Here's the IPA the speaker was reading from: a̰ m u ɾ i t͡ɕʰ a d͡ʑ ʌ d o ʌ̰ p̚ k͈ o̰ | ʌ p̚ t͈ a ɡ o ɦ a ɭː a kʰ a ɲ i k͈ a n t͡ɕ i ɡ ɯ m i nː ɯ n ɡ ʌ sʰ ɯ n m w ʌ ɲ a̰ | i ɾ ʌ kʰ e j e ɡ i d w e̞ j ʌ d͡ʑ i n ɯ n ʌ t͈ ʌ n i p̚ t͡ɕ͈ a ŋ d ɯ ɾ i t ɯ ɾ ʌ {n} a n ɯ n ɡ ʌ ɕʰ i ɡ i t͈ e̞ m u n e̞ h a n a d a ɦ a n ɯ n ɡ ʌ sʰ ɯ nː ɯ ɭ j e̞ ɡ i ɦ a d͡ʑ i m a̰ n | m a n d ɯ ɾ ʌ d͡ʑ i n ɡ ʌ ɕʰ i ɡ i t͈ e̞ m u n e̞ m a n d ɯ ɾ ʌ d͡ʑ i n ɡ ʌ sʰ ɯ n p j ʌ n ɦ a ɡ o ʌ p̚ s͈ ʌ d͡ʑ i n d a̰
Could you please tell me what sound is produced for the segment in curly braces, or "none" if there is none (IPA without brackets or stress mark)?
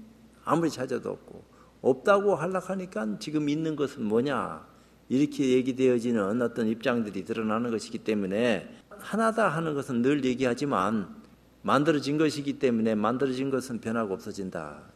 n